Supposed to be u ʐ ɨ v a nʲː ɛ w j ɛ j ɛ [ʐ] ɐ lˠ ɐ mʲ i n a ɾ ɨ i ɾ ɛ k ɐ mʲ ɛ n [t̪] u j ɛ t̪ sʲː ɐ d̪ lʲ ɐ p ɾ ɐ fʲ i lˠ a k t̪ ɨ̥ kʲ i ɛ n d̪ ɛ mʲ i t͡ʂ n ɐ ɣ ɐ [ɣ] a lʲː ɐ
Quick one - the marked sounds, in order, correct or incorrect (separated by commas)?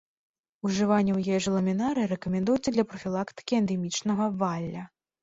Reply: correct, incorrect, incorrect